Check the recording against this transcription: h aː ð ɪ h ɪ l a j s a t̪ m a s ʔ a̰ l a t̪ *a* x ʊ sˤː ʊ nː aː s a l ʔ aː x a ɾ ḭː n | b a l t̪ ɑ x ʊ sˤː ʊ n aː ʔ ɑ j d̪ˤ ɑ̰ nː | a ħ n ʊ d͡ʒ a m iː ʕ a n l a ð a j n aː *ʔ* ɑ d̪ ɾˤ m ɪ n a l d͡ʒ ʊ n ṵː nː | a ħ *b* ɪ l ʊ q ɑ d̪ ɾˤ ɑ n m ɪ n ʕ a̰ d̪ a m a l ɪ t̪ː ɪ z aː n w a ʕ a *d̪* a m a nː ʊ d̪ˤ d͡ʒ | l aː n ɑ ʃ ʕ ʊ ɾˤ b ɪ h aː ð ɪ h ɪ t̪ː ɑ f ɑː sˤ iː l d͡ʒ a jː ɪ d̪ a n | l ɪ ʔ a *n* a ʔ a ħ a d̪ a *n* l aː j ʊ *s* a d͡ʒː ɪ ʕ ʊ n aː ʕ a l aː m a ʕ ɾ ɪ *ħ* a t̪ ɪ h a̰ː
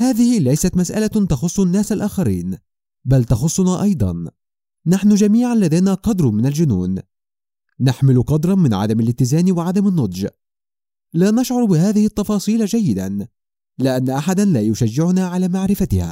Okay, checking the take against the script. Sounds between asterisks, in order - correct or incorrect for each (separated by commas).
incorrect, incorrect, incorrect, correct, incorrect, correct, incorrect, incorrect